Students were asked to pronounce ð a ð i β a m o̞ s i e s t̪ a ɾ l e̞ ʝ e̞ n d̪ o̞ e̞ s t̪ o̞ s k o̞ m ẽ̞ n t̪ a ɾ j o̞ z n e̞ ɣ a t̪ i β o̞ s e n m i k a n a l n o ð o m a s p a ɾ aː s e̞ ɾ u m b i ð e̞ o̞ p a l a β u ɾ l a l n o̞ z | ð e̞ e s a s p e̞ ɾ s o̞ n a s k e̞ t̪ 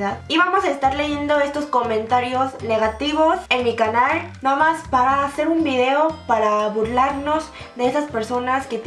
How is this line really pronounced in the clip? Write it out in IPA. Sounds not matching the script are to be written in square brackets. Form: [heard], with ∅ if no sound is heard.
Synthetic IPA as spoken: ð a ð i β a m o̞ s [a] e s t̪ a ɾ l e̞ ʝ e̞ n d̪ o̞ e̞ s t̪ o̞ s k o̞ m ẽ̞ n t̪ a ɾ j o̞ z n e̞ ɣ a t̪ i β o̞ s e n m i k a n a l n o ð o m a s p a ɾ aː s e̞ ɾ u m b i ð e̞ o̞ p a [ɾ] a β u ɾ l a [ɾ] n o̞ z | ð e̞ e s a s p e̞ ɾ s o̞ n a s k e̞ t̪